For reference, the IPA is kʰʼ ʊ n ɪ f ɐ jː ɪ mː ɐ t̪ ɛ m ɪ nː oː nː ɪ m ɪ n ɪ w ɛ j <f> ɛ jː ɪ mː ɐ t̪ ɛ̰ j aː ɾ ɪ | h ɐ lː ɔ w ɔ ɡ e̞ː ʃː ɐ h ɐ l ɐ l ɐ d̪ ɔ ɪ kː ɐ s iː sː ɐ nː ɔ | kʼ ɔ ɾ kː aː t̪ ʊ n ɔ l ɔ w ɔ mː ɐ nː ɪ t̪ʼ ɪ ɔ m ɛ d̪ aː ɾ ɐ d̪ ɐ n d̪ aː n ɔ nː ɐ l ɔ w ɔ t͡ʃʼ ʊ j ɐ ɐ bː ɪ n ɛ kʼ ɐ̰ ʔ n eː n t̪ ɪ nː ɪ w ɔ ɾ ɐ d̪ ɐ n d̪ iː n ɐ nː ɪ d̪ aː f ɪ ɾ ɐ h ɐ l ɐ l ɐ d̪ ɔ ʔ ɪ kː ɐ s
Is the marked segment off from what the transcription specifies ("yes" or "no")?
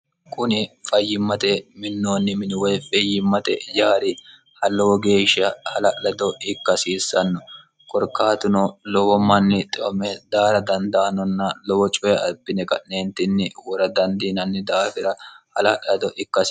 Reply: no